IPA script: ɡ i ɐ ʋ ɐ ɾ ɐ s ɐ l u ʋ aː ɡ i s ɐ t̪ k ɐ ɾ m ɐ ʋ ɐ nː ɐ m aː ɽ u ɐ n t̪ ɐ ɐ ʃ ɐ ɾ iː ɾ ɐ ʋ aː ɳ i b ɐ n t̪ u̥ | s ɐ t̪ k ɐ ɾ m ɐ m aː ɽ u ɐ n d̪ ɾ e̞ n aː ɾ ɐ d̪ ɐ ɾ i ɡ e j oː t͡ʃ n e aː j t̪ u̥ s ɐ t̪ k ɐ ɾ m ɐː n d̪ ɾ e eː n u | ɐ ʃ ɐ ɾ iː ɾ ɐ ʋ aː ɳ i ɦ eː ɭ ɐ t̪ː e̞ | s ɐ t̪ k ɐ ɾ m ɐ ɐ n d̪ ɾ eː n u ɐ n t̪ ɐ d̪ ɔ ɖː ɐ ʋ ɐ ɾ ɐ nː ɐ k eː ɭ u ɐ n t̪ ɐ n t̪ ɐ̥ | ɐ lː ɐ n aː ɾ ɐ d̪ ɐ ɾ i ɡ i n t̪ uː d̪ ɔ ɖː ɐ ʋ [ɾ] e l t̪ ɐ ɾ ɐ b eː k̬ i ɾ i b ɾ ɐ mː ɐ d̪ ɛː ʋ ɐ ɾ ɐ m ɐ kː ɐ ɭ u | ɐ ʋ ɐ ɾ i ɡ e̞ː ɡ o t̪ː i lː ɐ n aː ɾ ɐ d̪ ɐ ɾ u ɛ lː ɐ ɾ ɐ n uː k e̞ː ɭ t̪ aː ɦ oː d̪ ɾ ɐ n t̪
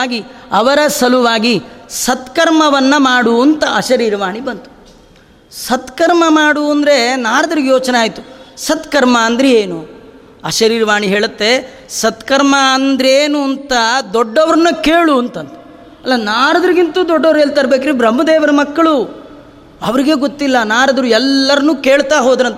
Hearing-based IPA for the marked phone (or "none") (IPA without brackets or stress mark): ɾ